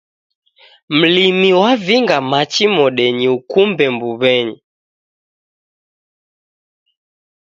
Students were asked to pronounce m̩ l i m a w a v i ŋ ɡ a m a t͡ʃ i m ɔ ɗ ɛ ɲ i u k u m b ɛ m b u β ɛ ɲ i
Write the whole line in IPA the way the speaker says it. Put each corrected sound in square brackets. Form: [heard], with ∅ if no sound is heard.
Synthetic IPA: m̩ l i m [i] w a v i ŋ ɡ a m a t͡ʃ i m ɔ ɗ ɛ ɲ i u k u m b ɛ m b u β ɛ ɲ i